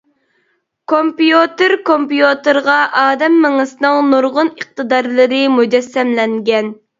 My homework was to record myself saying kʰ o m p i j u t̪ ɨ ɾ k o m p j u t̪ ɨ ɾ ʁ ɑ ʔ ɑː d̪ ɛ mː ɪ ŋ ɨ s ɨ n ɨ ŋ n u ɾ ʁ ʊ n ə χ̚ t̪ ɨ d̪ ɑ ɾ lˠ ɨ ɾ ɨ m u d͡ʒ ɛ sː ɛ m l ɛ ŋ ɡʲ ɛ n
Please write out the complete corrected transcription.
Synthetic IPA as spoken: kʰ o m p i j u t̪ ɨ ɾ k o m p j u t̪ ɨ ɾ ʁ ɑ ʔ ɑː d̪ ɛ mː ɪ ŋ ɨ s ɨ n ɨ ŋ n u ɾ ʁ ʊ n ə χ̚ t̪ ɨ d̪ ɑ ɾ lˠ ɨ ɾ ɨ m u d͡ʒ ɛ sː ɛ m l ɛ ŋ ɡʲ ɛ n